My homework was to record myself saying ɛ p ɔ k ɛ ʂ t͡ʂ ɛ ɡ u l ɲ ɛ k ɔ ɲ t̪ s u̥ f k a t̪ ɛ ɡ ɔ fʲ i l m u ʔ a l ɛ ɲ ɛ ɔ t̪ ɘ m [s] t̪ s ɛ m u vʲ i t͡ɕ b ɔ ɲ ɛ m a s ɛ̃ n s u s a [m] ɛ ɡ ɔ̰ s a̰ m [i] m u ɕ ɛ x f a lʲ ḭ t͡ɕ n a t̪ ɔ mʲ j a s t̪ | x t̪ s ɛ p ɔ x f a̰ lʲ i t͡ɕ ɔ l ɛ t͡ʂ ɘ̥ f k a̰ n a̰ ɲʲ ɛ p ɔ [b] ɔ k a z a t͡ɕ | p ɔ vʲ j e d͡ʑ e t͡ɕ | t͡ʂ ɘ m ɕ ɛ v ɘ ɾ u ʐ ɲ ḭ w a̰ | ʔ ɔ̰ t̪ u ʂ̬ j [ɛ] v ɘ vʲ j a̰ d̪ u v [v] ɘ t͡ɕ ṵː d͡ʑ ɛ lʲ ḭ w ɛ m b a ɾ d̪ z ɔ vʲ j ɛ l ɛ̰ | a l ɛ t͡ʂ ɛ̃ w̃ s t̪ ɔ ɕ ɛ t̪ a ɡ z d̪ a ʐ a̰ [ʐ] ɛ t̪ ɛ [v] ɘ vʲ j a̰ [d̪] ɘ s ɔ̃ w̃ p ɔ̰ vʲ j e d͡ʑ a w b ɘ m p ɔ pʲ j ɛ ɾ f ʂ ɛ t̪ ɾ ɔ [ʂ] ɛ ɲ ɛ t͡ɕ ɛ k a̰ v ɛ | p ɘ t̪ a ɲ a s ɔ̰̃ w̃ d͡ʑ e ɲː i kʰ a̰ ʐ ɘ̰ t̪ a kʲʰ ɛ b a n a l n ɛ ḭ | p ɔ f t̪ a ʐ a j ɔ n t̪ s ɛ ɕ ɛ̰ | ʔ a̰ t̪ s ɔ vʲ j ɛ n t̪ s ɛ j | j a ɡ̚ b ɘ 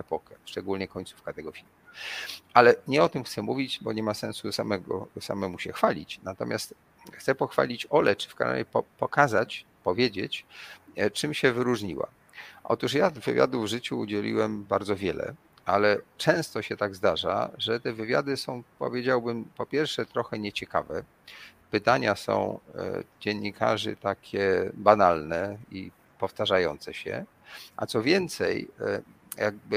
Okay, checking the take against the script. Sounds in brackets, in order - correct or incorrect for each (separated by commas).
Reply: incorrect, correct, incorrect, incorrect, incorrect, incorrect, correct, correct, correct, incorrect